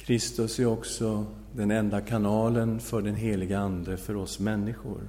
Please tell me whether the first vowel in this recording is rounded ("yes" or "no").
no